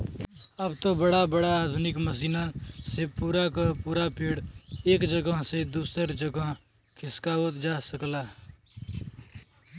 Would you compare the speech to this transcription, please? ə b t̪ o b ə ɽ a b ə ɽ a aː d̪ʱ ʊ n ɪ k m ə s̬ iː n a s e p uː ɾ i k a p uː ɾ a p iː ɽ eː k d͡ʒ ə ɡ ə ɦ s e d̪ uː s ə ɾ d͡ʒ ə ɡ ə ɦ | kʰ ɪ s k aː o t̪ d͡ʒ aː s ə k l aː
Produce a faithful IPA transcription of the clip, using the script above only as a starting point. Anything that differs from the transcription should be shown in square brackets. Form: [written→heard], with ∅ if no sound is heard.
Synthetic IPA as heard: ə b t̪ o b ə ɽ a b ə ɽ a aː d̪ʱ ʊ n ɪ k m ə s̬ iː n a s e p uː ɾ [i→a] k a p uː ɾ a p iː ɽ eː k d͡ʒ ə ɡ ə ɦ s e d̪ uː s ə ɾ d͡ʒ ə ɡ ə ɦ | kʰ ɪ s k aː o t̪ d͡ʒ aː s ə k l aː